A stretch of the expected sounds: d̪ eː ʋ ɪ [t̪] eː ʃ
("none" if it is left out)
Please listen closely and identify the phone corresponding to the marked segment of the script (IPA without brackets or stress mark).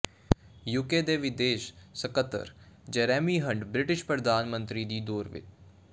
d̪